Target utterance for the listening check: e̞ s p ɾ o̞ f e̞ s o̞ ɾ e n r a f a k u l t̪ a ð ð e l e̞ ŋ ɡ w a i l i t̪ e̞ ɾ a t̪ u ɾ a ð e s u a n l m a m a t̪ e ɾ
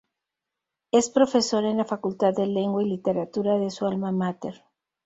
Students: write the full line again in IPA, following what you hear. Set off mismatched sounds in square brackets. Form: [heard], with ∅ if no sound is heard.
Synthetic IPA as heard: e̞ s p ɾ o̞ f e̞ s o̞ ɾ e n [l] a f a k u l t̪ a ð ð e l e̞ ŋ ɡ w a i l i t̪ e̞ ɾ a t̪ u ɾ a ð e s u a [∅] l m a m a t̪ e ɾ